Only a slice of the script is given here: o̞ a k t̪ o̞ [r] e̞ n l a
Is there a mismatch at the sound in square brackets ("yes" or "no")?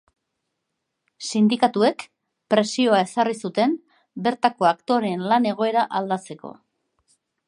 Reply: yes